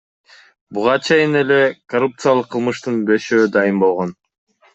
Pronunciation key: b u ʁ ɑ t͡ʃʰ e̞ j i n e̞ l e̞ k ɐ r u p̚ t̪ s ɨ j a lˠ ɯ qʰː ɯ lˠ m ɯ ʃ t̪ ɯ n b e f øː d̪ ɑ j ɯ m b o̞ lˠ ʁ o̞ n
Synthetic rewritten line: b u ʁ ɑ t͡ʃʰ e̞ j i n e̞ l e̞ k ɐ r u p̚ t̪ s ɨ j a lˠ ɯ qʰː ɯ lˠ m ɯ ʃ t̪ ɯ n b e ʃ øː d̪ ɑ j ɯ m b o̞ lˠ ʁ o̞ n